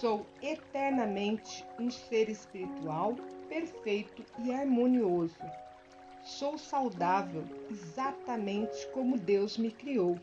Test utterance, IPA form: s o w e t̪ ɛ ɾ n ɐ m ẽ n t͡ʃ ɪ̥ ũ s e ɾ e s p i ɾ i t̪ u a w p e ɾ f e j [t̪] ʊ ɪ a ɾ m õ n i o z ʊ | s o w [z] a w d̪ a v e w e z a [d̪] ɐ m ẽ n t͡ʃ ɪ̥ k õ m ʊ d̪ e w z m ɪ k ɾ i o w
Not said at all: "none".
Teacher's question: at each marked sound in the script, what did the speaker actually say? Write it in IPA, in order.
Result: t̪, s, t̪

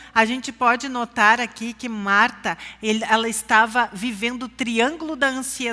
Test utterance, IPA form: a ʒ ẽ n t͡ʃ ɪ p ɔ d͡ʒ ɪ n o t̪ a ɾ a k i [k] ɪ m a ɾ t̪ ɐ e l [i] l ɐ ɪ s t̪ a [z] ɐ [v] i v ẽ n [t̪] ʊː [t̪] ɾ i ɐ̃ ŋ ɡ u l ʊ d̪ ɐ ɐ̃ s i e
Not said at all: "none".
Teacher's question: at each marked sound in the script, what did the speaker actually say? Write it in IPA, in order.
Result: k, ɛ, v, v, d̪, t̪

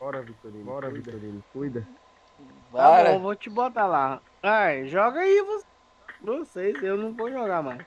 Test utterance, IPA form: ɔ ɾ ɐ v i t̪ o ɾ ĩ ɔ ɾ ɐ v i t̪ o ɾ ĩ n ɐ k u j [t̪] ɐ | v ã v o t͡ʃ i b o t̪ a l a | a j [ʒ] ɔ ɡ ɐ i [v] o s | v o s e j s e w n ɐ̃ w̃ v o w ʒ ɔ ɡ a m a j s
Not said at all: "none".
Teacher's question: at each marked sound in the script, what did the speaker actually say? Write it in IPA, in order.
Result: d̪, ʒ, v

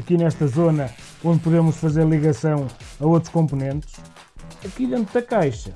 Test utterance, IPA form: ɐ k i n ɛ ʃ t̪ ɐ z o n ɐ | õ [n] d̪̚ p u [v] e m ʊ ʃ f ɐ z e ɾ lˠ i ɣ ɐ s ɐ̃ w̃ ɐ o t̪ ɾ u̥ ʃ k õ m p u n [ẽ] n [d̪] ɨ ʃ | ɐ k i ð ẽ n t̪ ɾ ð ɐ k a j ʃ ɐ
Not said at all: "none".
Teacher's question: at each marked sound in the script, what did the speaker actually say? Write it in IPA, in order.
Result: n, ð, ẽ, t̪

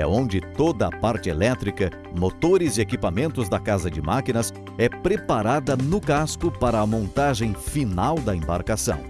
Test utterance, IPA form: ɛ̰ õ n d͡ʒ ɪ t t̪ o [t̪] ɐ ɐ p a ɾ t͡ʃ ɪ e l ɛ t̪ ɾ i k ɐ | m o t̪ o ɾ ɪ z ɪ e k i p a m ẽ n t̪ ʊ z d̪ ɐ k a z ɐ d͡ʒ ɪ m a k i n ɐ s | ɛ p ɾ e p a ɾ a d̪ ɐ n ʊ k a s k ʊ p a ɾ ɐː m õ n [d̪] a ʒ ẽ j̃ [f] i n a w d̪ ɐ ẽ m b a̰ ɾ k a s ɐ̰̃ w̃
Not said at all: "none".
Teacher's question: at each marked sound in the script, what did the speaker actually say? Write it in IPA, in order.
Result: d̪, t̪, f

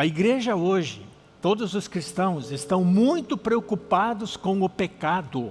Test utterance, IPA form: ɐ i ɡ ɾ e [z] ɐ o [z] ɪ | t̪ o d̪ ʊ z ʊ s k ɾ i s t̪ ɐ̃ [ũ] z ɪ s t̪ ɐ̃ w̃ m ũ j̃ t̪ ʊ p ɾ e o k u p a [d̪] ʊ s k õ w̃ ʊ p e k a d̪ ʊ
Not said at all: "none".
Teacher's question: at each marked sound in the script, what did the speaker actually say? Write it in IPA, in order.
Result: ʒ, ʒ, w̃, d̪

